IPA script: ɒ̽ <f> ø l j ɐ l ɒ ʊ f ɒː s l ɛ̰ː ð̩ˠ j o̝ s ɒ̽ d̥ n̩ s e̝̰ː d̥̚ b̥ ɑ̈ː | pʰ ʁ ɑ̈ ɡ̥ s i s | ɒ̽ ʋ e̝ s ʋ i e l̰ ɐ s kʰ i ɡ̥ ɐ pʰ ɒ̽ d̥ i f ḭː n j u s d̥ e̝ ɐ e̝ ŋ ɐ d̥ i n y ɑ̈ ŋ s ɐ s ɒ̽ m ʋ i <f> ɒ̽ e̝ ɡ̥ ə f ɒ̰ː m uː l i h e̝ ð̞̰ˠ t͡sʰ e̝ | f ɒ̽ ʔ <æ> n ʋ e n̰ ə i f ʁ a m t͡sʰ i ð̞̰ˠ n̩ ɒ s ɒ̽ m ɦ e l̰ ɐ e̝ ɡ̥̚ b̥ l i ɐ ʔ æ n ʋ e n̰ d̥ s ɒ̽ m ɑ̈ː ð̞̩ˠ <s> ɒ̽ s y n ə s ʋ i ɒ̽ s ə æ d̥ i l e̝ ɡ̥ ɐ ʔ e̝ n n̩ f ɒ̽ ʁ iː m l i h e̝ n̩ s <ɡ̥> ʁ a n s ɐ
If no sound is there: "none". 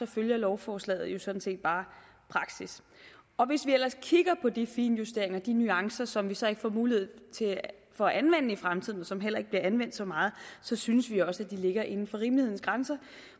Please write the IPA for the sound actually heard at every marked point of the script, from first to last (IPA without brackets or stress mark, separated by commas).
f, s, æ, s, ɡ̥